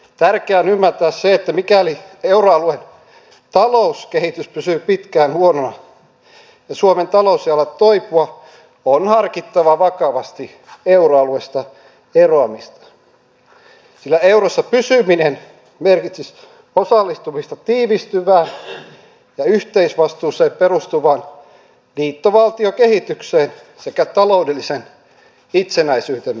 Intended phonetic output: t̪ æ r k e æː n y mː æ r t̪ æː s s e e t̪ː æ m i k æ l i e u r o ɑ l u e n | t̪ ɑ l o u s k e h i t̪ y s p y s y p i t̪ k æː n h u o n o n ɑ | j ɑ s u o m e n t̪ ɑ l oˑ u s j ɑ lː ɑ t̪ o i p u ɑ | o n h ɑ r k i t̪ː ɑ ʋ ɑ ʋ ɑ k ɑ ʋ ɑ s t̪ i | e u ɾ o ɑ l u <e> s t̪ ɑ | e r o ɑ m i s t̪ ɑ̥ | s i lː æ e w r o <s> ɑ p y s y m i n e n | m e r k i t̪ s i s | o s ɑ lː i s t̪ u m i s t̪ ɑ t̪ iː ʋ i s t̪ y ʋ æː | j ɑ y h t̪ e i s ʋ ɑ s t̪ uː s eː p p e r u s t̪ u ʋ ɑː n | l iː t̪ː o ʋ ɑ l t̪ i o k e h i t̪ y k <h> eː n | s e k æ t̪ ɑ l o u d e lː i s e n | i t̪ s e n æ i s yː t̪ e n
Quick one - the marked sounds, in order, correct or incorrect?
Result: correct, incorrect: sː, incorrect: s

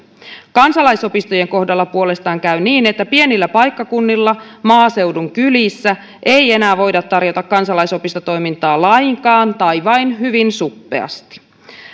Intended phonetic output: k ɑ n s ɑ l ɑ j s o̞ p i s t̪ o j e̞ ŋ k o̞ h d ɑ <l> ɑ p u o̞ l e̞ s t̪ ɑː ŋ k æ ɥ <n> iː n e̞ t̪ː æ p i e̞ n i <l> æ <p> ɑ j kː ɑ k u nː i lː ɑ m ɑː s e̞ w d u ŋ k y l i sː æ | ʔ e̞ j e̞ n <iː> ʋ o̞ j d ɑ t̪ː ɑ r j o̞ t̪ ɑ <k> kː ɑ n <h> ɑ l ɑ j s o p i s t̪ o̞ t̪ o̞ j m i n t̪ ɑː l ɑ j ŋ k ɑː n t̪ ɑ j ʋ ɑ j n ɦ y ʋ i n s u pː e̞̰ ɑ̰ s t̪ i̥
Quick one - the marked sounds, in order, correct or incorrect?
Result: incorrect: lː, correct, incorrect: lː, correct, incorrect: æː, correct, incorrect: s

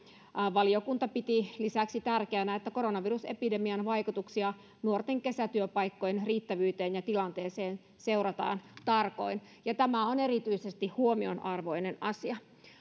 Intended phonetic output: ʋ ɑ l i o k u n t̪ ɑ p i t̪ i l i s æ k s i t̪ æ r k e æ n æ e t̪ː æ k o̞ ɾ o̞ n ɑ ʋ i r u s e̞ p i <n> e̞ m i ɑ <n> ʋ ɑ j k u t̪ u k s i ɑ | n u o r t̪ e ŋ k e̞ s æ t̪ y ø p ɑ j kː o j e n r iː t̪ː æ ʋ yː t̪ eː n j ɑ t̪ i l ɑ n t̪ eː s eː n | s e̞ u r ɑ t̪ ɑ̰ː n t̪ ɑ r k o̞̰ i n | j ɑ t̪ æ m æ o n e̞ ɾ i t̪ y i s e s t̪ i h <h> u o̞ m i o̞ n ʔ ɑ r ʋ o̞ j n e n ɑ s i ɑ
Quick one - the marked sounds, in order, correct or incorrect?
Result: incorrect: d, correct, correct

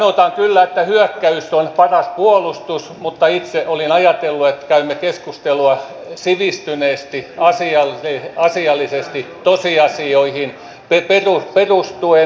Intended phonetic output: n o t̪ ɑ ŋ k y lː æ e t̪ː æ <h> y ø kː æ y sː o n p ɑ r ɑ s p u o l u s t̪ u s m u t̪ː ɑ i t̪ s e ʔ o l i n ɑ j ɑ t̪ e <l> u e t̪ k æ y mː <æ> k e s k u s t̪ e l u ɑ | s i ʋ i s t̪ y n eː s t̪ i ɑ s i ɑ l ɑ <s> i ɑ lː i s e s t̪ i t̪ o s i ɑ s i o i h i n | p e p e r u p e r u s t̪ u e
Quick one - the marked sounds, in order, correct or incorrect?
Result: correct, incorrect: lː, incorrect: e, correct

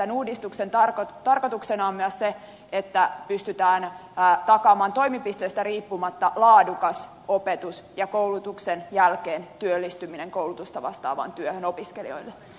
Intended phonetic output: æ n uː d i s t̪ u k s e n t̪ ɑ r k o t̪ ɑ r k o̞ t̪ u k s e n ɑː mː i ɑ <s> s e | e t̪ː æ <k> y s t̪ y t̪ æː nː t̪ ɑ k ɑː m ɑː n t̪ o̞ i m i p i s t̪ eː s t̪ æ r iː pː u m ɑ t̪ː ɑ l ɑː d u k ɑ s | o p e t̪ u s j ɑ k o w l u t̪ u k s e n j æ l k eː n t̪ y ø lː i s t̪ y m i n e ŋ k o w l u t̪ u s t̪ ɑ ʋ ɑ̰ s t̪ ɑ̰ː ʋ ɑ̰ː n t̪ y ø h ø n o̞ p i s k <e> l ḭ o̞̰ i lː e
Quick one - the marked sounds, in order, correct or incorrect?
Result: correct, incorrect: p, correct

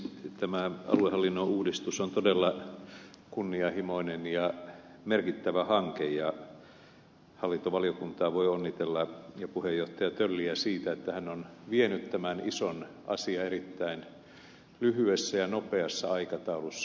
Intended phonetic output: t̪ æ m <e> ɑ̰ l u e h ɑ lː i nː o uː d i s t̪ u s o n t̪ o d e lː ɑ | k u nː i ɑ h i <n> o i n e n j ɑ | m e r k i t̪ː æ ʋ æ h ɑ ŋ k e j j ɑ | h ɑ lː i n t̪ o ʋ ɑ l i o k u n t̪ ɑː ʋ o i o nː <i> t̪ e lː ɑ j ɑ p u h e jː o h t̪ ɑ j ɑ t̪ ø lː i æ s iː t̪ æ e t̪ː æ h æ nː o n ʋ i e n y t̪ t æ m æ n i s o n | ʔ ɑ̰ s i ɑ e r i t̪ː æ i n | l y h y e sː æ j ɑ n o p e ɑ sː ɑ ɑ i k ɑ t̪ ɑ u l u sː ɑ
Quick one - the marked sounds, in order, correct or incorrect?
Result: incorrect: æ, incorrect: m, correct

